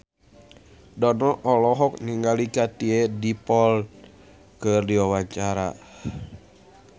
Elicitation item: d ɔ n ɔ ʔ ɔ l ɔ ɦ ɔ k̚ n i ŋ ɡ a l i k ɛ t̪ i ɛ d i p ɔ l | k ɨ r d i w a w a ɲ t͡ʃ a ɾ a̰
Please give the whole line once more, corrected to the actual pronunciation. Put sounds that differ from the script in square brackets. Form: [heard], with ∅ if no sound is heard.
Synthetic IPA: d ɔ n ɔ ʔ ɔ l ɔ ɦ ɔ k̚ n i ŋ ɡ a l i k [a] t̪ i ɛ d i p ɔ l | k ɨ r d i w a w a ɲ t͡ʃ a ɾ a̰